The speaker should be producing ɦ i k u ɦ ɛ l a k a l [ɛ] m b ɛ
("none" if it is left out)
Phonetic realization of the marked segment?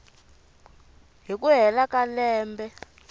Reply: ɛː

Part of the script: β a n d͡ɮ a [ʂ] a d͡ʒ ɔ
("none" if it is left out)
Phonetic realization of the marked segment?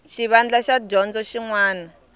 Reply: ʃ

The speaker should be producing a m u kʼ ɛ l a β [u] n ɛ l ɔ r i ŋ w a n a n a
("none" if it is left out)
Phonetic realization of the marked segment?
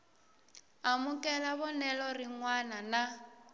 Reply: ɔ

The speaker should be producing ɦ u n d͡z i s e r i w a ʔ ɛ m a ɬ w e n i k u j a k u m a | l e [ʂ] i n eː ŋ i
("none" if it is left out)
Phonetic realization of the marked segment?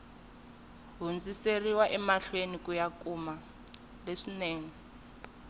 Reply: ʂ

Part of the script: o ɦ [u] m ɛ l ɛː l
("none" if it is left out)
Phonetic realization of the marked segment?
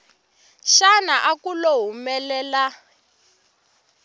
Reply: u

